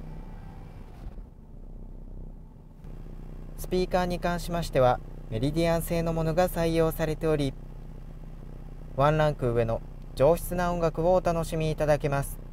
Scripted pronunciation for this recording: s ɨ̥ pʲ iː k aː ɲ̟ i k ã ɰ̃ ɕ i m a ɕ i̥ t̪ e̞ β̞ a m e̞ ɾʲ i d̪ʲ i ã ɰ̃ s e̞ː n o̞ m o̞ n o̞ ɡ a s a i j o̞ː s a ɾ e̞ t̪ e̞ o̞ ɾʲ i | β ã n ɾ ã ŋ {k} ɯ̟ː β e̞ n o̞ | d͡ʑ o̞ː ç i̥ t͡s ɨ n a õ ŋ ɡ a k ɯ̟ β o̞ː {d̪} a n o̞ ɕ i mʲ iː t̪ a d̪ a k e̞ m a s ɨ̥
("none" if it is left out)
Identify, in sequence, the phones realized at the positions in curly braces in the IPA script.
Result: k, t̪

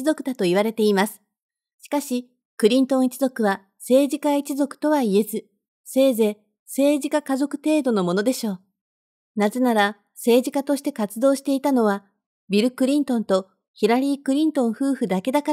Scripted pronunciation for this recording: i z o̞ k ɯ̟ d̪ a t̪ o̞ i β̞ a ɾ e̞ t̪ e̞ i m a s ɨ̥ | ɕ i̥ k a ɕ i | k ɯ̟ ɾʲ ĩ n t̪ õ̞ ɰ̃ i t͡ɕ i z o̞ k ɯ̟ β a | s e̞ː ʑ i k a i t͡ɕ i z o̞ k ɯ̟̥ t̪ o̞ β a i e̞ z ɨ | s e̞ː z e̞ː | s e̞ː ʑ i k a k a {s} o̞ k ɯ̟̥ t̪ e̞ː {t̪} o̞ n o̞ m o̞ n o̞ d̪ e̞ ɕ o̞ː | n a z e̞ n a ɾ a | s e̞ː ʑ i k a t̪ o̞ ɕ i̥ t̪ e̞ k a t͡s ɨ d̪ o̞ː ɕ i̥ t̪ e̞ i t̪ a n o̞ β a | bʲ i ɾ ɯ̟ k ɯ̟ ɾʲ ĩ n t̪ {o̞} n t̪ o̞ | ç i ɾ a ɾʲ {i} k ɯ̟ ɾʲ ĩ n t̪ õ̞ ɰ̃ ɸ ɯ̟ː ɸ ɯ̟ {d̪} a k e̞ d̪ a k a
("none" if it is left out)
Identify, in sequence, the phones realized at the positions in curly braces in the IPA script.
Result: z, d̪, õ̞, iː, d̪

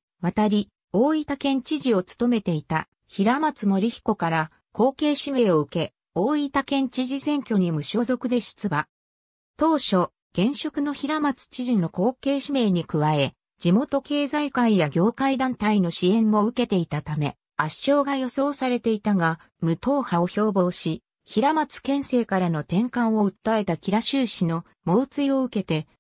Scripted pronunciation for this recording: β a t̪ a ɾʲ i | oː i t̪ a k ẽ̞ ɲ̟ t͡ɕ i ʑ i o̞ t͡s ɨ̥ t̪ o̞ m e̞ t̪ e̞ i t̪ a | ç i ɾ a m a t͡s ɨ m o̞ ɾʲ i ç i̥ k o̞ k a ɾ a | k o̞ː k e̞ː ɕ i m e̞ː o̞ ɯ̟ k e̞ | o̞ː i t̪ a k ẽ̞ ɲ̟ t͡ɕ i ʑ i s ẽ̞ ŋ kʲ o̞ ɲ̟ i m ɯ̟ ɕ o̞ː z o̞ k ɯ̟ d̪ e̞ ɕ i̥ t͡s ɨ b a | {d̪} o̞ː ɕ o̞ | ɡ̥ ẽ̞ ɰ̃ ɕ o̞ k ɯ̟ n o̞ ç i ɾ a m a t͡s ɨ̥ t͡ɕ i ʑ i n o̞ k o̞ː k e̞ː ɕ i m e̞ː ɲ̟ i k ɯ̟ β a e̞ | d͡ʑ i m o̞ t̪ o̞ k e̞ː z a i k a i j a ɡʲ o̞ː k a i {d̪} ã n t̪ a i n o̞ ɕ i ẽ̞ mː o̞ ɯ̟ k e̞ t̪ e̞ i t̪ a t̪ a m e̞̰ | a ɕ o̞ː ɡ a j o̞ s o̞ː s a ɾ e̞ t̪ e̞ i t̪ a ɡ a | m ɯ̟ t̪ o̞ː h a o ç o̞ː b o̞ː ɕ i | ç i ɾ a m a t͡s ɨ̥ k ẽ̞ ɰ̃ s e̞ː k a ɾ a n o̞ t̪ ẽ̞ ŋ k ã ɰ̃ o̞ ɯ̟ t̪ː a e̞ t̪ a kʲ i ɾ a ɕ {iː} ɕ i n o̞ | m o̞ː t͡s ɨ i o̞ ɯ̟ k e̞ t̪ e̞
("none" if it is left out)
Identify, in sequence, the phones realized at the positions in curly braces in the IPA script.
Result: t̪, d̪, ɨː

